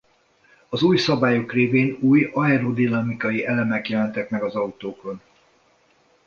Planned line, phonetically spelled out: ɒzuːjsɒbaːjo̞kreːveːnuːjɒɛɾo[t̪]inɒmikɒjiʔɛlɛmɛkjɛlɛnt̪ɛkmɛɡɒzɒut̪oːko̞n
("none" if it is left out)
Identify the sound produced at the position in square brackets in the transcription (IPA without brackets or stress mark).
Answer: d̪